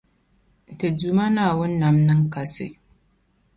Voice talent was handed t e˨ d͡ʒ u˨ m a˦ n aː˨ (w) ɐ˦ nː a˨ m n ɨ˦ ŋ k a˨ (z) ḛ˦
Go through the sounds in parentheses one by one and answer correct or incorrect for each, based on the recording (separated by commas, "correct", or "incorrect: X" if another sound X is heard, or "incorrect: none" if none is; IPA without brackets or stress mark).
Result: correct, incorrect: s